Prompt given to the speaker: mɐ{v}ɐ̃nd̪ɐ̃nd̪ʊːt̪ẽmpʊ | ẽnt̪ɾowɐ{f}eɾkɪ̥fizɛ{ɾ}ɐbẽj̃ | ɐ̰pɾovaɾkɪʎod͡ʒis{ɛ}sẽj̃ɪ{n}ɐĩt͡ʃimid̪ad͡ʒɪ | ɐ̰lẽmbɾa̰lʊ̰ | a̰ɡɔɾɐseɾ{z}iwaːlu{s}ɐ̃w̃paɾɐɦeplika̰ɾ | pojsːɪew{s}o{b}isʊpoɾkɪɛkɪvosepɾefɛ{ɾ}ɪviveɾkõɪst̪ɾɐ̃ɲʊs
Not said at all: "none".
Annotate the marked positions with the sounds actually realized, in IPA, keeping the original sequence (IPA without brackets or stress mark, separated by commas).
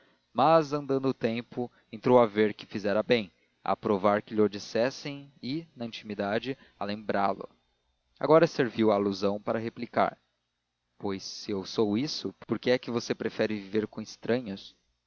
z, v, ɾ, ɛ, n, v, z, s, w, ɾ